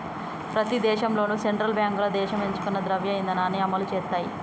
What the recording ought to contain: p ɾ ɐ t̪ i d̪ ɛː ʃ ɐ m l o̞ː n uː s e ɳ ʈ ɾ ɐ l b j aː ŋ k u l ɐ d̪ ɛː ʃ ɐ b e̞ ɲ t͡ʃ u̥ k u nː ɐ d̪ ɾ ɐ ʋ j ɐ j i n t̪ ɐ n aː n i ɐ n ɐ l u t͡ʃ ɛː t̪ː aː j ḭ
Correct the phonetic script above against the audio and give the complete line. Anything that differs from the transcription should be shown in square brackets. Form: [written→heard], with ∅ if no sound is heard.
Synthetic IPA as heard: p ɾ ɐ t̪ i d̪ ɛː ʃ ɐ m l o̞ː n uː s e ɳ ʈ ɾ ɐ l b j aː ŋ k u l ɐ d̪ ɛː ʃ ɐ [b→m] e̞ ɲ t͡ʃ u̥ k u nː ɐ d̪ ɾ ɐ ʋ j ɐ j i n [t̪→d̪] ɐ n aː n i ɐ [n→m] ɐ l u t͡ʃ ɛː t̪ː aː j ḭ